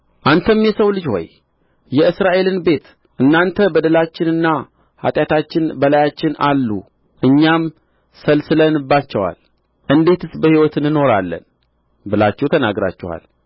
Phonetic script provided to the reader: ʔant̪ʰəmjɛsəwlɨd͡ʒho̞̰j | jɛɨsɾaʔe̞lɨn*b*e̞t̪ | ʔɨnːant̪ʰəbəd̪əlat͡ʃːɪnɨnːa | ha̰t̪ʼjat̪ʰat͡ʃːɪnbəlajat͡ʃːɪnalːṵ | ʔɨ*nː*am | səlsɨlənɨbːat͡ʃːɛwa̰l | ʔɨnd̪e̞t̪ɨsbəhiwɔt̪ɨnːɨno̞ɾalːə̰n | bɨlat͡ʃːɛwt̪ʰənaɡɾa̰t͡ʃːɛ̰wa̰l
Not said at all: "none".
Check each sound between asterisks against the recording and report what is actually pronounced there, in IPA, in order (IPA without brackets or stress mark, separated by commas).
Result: b, ɲː